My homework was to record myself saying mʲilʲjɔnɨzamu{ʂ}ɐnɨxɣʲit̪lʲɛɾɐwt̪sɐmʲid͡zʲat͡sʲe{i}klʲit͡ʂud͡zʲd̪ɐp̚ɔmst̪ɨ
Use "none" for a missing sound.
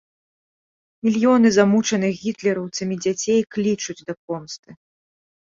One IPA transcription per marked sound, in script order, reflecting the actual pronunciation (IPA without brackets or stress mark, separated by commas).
t͡ʂ, j